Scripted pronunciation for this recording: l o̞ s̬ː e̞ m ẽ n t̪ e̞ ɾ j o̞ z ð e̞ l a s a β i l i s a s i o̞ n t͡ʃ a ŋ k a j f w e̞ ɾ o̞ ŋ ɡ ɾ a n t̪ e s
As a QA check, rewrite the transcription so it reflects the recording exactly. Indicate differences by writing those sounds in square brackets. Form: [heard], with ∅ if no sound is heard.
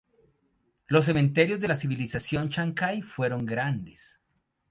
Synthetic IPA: l o̞ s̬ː e̞ m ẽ n t̪ e̞ ɾ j o̞ z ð e̞ l a s [i] β i l i s a s [j] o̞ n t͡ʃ a ŋ k a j f w e̞ ɾ o̞ ŋ ɡ ɾ a n [d̪] e s